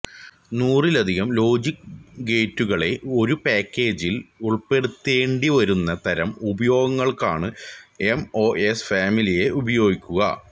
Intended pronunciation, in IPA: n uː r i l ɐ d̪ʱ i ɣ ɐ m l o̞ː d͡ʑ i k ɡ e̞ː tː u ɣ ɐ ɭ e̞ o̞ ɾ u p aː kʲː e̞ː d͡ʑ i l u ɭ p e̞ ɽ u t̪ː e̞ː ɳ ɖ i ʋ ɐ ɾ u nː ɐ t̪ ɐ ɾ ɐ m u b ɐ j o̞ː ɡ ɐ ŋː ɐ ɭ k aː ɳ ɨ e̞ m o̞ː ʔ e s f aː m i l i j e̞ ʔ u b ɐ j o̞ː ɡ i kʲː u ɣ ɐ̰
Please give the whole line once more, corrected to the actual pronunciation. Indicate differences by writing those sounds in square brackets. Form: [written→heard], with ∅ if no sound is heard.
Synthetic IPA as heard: n uː r i l ɐ d̪ʱ i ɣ ɐ m l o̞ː d͡ʑ i k ɡ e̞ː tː u ɣ ɐ ɭ e̞ o̞ ɾ u p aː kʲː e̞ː d͡ʑ i l u ɭ p e̞ ɽ u t̪ː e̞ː ɳ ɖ i ʋ ɐ ɾ u nː ɐ t̪ ɐ ɾ ɐ m u b ɐ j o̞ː ɡ ɐ ŋː ɐ ɭ k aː ɳ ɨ e̞ m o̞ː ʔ e s f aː m i l i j e̞ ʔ u b ɐ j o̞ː ɡ i kʲː u ɣ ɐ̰